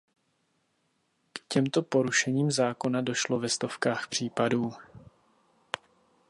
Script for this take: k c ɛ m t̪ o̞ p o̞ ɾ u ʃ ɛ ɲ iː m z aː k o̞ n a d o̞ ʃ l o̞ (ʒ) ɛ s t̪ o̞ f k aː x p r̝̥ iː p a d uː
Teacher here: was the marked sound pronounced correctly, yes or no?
no